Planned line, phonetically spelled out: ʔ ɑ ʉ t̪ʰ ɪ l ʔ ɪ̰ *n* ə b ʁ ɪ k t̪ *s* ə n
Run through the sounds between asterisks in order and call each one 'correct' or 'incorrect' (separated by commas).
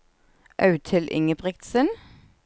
incorrect, correct